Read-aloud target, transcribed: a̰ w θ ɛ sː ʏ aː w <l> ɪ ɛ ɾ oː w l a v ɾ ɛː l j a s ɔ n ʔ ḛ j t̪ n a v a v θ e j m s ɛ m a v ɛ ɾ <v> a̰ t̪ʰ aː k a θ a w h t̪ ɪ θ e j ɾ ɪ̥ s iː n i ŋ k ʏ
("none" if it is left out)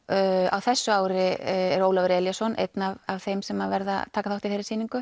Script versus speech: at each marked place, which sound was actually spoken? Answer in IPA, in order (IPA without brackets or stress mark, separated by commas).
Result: ɾ, ð